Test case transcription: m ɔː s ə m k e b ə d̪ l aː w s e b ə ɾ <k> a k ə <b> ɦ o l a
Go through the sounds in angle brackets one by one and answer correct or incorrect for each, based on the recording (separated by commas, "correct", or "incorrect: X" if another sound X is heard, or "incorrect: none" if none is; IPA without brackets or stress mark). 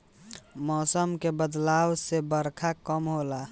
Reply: incorrect: kʰ, incorrect: m